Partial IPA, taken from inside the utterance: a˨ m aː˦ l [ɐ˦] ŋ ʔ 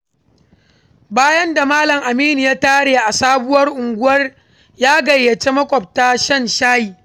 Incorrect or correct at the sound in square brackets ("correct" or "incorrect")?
incorrect